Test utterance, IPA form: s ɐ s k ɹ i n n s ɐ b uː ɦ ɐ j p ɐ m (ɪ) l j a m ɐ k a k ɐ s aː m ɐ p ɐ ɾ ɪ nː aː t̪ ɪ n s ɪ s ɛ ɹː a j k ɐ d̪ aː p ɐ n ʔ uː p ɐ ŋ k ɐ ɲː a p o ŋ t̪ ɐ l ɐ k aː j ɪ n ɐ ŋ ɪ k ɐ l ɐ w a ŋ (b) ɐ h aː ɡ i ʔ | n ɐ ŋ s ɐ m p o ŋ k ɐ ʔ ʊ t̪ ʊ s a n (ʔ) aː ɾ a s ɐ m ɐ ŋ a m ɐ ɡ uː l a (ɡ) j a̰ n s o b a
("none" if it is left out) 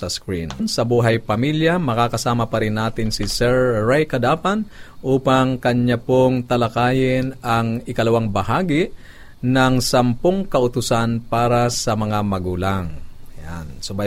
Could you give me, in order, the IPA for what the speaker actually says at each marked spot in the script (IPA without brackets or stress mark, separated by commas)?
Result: i, b, p, ŋ